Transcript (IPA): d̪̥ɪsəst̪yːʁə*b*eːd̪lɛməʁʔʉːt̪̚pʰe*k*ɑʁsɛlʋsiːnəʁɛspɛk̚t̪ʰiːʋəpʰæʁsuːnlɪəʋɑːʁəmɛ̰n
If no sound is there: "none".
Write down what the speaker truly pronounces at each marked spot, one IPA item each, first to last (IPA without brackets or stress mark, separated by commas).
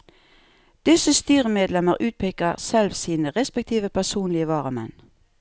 m, k